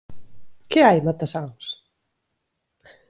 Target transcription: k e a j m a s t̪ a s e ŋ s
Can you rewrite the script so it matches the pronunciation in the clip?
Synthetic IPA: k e a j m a t̪ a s a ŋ s